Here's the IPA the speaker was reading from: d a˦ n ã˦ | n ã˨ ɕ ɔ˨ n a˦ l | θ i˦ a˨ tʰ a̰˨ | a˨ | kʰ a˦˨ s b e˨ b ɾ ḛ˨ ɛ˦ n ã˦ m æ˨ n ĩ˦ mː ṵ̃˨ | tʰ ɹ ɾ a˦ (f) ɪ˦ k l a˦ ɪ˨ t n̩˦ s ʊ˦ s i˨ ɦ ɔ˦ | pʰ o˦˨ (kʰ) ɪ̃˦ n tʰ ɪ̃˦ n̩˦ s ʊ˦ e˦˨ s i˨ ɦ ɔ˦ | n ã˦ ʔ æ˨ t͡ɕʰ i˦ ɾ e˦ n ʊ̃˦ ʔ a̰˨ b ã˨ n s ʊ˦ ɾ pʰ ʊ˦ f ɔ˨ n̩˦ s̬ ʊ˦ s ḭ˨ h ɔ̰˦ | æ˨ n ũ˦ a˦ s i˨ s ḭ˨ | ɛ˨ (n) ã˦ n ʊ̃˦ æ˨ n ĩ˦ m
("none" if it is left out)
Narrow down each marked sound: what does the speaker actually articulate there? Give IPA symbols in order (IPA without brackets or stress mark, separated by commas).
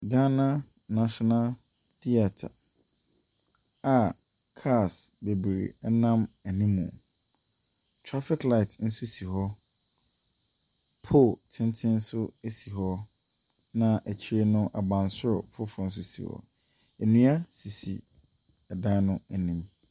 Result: f, tʰ, d